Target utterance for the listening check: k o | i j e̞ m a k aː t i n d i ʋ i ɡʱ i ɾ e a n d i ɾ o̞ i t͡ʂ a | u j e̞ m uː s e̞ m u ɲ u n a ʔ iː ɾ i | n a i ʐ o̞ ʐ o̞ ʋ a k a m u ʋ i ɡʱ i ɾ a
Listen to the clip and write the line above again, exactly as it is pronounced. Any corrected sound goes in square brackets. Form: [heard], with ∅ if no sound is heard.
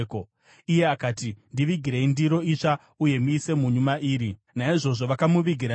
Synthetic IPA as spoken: k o | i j e̞ [∅] a k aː t i n d i ʋ i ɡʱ i ɾ e [i] n d i ɾ o̞ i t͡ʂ a | u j e̞ m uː s e̞ m u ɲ u [m] a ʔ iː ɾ i | n a i ʐ o̞ ʐ o̞ ʋ a k a m u ʋ i ɡʱ i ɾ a